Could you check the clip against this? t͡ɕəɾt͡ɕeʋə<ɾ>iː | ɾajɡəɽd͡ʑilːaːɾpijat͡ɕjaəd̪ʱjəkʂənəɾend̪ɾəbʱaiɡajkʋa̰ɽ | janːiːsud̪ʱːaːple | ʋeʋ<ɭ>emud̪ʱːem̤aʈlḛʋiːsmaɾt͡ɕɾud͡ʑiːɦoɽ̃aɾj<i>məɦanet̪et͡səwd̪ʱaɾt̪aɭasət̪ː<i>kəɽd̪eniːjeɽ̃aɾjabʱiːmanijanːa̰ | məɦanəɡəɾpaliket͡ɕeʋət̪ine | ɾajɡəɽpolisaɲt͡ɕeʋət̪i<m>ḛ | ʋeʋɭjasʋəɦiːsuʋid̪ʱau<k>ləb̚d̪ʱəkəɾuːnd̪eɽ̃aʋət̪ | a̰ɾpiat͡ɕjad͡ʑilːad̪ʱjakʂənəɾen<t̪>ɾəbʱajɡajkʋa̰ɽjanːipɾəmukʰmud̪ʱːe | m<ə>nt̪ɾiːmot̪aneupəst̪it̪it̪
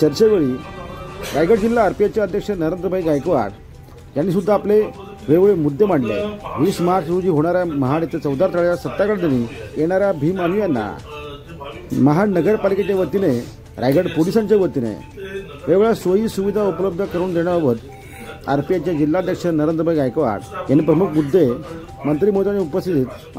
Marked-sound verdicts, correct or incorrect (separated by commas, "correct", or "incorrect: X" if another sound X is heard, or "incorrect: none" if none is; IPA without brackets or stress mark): incorrect: ɭ, correct, incorrect: a, incorrect: a, incorrect: n, incorrect: p, incorrect: d̪, correct